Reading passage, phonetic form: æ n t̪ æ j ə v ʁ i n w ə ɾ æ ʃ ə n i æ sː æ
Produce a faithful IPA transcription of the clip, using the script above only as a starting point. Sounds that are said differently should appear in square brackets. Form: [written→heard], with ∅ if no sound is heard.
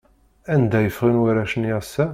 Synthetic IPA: æ n [t̪→d̪] æ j ə [v→f] ʁ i n w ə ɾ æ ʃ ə n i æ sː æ